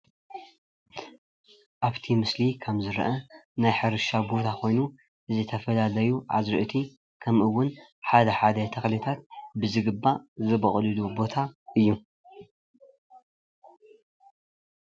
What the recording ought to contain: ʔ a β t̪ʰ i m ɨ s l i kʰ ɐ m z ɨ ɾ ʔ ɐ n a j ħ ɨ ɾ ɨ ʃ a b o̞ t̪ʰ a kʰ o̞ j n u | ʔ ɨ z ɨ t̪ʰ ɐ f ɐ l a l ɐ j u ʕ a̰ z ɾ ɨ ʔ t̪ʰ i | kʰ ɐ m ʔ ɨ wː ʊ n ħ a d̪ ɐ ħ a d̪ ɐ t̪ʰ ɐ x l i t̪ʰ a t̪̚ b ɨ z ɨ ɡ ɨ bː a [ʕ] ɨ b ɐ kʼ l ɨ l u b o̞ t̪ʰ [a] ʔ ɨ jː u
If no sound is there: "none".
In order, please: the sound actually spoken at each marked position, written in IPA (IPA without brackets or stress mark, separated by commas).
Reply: z, a